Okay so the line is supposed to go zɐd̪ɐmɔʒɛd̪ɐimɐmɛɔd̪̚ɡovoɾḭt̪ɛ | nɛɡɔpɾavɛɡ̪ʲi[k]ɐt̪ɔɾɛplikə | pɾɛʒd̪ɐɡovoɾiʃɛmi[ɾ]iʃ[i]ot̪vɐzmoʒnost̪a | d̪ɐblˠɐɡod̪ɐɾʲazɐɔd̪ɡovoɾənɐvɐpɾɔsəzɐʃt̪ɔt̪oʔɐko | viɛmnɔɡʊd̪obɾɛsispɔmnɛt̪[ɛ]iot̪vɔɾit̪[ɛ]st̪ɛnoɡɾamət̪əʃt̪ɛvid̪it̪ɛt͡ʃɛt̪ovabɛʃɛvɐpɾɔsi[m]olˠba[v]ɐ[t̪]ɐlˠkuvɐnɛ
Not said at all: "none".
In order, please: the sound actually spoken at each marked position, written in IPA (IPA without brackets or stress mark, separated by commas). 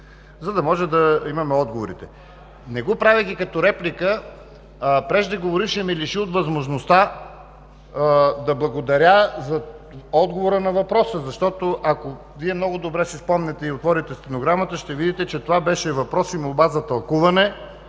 k, l, i, ɛ, ɛ, m, z, t̪